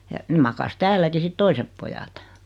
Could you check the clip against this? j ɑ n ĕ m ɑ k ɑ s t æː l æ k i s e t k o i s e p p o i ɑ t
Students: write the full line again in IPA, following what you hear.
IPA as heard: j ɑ n ĕ m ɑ k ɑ s t æː lː æ k i s i t t o i s e p p o j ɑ t